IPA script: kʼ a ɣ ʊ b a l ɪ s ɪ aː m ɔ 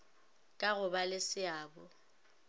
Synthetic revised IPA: kʼ a ɣ ʊ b a l ɪ s ɪ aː b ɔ